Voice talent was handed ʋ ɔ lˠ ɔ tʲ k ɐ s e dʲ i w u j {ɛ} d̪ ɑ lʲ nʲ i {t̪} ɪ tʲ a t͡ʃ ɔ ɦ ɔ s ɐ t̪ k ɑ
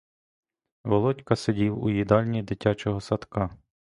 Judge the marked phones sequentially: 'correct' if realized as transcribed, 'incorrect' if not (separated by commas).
incorrect, incorrect